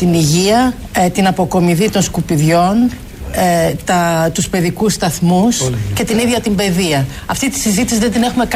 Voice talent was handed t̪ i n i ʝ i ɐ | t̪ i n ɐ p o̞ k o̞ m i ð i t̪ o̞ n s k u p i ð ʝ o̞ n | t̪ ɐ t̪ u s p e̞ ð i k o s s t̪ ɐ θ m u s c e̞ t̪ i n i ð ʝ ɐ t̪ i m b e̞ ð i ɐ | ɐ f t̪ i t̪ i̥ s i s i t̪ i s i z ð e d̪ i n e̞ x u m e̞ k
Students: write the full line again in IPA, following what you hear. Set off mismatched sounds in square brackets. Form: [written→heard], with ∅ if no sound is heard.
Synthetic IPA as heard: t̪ i n i ʝ i ɐ | t̪ i n ɐ p o̞ k o̞ m i ð i t̪ o̞ n s k u p i ð ʝ o̞ n | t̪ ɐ t̪ u s p e̞ ð i k [o→u] s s t̪ ɐ θ m u s c e̞ t̪ i n i ð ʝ ɐ t̪ i m b e̞ ð i ɐ | ɐ f t̪ i t̪ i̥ s i [s→z] i t̪ i s i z ð e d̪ i n e̞ x u m e̞ k